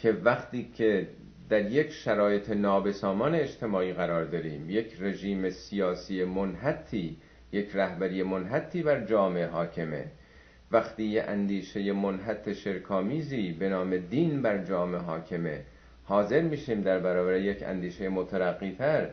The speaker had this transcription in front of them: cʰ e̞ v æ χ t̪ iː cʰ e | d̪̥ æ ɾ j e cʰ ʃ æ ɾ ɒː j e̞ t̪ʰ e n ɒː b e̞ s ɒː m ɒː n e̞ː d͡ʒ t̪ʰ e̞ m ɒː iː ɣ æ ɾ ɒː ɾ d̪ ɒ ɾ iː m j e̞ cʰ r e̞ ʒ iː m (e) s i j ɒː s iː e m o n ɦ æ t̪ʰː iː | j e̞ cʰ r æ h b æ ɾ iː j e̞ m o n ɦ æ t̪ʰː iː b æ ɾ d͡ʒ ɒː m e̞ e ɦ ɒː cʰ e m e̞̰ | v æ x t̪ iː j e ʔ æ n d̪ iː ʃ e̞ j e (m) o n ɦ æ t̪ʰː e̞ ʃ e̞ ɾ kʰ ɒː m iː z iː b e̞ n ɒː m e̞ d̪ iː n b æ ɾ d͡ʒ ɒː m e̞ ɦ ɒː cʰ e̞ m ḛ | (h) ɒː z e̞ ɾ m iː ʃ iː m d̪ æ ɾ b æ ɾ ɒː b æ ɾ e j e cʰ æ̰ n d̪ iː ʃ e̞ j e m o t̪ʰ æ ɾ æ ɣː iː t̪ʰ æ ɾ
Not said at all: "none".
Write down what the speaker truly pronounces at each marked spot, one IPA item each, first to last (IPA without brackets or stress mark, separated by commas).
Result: e, m, h